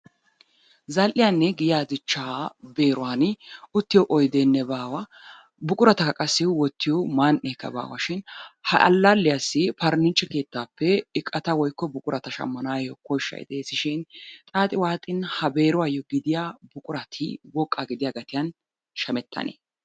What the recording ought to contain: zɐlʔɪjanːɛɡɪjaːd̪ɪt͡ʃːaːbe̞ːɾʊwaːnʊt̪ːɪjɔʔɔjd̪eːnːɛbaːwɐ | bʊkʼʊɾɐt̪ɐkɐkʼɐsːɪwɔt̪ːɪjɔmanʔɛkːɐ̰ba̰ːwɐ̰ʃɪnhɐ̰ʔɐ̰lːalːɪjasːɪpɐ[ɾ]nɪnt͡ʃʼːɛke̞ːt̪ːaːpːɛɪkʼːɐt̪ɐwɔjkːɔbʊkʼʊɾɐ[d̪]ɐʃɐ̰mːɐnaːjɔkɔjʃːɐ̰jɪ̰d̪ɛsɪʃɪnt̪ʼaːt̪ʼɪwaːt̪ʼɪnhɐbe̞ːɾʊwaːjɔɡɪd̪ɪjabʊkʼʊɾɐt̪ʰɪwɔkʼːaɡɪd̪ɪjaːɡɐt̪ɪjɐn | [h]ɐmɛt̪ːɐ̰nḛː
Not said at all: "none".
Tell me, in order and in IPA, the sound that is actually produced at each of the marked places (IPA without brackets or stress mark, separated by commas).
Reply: ɾ, t̪, ʃ